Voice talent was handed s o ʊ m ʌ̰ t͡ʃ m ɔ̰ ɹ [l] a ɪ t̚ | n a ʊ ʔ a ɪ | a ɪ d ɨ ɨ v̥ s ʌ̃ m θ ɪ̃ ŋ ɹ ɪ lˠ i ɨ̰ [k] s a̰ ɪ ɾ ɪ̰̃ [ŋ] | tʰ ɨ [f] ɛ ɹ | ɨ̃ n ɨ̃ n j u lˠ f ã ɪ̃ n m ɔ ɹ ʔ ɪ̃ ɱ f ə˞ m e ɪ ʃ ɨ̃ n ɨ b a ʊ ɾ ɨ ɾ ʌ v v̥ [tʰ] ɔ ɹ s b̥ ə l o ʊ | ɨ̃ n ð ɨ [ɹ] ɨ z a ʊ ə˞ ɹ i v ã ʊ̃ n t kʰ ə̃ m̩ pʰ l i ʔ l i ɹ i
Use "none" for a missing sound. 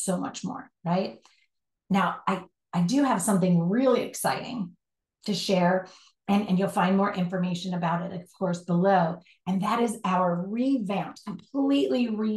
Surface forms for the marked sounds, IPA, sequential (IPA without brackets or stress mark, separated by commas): ɹ, k, ŋ, ʃ, kʰ, ɾ